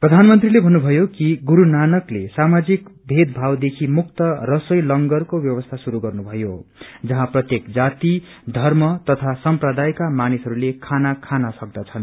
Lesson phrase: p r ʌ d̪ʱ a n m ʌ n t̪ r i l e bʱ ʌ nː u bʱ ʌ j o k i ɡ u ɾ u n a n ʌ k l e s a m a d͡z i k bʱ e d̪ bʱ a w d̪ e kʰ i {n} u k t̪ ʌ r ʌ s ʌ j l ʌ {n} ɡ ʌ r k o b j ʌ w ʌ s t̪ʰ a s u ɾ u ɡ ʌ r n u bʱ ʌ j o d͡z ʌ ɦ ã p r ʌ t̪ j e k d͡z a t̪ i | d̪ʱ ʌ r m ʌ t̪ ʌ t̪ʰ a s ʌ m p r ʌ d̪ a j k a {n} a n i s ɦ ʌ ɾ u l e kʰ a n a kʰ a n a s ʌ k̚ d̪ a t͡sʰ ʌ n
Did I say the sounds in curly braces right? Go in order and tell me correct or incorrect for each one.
incorrect, incorrect, incorrect

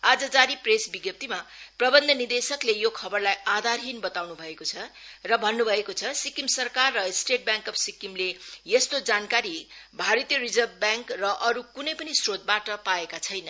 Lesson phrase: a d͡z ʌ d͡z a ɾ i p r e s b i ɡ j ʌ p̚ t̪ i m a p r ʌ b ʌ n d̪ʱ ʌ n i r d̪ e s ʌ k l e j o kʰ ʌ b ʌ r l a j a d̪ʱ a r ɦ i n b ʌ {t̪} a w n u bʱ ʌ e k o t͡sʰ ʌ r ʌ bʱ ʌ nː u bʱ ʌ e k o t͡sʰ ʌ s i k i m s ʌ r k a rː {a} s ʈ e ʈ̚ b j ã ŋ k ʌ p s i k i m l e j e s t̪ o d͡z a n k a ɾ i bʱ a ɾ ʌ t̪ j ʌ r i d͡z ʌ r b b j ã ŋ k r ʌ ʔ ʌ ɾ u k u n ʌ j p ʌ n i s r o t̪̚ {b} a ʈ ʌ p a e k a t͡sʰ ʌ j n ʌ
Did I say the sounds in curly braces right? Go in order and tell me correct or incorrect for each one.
correct, incorrect, correct

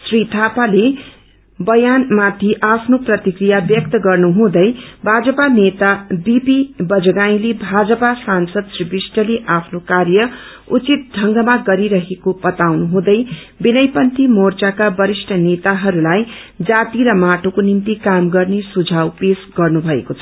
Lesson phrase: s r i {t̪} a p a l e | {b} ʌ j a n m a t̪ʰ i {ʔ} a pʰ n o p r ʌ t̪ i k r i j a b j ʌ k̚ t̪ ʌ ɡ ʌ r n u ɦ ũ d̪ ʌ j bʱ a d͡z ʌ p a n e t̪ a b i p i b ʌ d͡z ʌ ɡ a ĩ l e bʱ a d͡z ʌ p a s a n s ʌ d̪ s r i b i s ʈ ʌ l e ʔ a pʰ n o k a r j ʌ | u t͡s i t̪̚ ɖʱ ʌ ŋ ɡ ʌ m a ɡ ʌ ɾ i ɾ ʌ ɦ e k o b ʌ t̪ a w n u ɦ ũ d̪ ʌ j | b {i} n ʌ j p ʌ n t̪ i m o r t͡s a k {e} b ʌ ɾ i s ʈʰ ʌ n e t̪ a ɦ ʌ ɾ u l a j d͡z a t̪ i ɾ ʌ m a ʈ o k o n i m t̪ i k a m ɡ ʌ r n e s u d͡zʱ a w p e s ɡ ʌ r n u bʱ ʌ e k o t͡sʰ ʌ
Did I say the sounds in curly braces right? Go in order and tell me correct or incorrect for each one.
incorrect, correct, correct, correct, incorrect

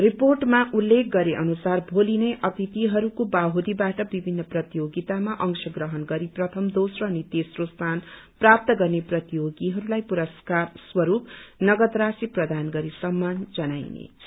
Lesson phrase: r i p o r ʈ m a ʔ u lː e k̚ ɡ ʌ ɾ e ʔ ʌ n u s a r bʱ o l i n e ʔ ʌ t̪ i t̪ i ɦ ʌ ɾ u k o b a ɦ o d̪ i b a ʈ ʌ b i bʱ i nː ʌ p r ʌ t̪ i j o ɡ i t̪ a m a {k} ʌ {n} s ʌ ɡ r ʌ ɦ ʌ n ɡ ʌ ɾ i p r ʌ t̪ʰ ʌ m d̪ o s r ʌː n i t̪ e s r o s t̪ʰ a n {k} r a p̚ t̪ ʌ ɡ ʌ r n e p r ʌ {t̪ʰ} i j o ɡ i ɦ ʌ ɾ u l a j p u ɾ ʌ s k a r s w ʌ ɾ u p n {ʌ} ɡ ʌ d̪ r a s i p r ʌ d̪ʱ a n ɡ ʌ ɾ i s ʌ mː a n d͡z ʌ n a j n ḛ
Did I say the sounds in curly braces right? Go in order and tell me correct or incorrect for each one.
incorrect, incorrect, incorrect, incorrect, correct

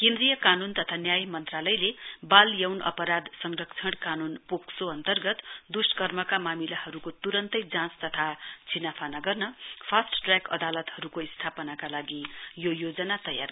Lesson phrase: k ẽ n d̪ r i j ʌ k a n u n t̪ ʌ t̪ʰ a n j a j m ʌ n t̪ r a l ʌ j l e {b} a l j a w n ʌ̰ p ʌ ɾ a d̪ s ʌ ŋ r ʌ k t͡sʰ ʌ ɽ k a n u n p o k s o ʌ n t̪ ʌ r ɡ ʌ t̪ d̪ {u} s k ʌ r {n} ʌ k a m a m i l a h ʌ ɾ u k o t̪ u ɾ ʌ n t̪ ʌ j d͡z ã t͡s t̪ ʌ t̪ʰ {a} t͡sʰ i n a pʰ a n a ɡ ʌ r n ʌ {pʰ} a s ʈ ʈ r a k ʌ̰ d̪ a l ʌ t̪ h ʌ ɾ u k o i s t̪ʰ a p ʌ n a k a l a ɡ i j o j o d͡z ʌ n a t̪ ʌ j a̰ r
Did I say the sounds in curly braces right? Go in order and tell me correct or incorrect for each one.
correct, correct, incorrect, correct, correct

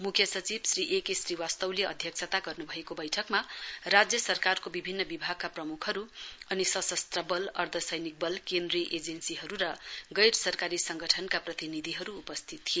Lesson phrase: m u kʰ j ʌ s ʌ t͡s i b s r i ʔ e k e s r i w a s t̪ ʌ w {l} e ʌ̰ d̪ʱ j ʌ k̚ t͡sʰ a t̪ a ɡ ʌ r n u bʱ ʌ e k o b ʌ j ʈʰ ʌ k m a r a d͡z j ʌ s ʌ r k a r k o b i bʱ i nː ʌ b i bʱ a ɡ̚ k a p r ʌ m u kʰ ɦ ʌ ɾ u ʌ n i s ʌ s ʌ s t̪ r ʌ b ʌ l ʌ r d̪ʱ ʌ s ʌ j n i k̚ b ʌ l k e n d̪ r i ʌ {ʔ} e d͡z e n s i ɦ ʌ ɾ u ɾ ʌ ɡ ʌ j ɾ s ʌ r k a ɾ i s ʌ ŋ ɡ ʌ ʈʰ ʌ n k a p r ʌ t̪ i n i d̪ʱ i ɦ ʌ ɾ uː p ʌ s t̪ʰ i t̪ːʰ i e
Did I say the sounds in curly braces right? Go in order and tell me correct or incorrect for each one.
correct, correct

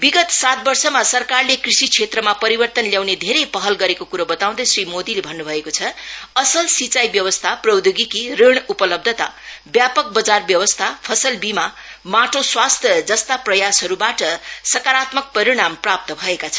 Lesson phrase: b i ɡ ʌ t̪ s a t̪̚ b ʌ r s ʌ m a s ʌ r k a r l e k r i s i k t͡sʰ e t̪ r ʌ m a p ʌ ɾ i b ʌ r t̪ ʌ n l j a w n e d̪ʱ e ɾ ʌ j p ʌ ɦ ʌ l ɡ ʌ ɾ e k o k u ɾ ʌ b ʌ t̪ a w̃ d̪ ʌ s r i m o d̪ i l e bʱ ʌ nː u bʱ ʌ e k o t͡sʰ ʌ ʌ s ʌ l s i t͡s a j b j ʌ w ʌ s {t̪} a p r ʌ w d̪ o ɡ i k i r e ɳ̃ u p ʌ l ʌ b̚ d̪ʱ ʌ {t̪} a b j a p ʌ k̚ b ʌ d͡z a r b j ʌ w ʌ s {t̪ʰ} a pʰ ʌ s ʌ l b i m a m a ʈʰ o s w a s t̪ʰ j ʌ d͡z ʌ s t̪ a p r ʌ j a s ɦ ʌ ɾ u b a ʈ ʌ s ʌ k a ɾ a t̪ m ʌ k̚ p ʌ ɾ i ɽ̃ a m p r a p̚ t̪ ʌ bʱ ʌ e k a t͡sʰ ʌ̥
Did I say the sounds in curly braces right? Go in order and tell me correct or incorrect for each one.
incorrect, correct, correct

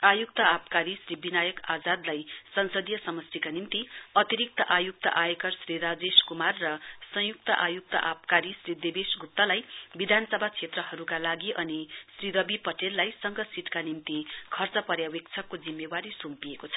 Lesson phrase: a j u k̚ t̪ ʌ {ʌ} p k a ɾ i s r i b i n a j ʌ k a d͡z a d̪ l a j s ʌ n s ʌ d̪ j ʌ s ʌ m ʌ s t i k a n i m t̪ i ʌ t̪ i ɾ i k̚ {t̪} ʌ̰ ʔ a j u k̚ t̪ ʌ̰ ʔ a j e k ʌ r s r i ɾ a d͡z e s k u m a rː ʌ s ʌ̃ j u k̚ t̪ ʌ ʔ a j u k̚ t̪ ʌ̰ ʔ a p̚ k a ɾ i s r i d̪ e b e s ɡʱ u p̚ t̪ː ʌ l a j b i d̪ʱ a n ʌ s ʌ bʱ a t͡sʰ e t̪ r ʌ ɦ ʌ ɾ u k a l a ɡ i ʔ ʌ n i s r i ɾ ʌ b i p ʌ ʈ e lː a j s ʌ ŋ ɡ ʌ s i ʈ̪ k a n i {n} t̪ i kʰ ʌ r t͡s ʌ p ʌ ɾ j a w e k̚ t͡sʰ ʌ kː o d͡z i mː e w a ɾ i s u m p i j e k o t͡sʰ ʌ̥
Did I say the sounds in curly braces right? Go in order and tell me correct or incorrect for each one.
incorrect, correct, incorrect

